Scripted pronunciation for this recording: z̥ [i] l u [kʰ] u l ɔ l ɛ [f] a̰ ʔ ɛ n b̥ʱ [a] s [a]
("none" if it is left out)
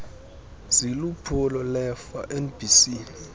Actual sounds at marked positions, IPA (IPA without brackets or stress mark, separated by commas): i, pʰ, f, i, i